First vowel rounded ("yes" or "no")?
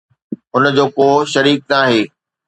yes